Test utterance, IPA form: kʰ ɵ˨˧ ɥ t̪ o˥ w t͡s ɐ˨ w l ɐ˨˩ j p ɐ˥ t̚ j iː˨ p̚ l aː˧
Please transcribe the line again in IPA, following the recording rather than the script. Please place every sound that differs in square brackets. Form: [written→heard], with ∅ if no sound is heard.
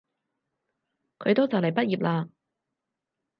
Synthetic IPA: kʰ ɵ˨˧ ɥ t̪ o˥ w t͡s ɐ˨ w l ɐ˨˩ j p ɐ˥ t̚ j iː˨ p̚ l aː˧

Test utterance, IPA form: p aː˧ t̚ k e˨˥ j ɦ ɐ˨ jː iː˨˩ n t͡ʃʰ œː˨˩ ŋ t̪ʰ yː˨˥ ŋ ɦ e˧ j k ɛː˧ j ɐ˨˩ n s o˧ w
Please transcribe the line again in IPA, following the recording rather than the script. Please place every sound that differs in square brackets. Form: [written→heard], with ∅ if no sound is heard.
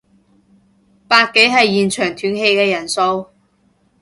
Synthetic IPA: p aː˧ t̚ k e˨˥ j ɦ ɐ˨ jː iː˨˩ n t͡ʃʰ œː˨˩ ŋ t̪ʰ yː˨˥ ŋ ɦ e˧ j k ɛː˧ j ɐ˨˩ n s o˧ w

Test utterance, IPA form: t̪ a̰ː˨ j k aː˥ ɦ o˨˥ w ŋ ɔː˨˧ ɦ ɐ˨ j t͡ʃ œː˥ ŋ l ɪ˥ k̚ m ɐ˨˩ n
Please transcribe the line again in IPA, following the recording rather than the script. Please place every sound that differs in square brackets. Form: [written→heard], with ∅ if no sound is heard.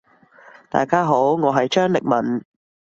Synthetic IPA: t̪ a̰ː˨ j k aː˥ ɦ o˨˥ w ŋ ɔː˨˧ ɦ ɐ˨ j t͡ʃ œː˥ ŋ l [ɪ˥→ɪ˨] k̚ m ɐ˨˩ n

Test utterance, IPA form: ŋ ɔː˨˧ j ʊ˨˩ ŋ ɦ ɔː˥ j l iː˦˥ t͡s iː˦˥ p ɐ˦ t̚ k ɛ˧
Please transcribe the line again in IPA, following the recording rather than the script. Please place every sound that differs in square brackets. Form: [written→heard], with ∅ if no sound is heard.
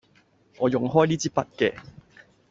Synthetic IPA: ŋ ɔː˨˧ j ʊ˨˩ ŋ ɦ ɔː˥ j l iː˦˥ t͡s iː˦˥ p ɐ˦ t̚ k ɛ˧

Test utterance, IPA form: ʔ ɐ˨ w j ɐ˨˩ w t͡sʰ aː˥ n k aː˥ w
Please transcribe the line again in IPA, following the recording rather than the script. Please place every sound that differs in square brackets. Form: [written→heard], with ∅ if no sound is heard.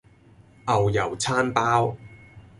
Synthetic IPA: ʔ ɐ˨ w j ɐ˨˩ w t͡sʰ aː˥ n [k→p] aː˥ w

